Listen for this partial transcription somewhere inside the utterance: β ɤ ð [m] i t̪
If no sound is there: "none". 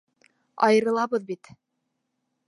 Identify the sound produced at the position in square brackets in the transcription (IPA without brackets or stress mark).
b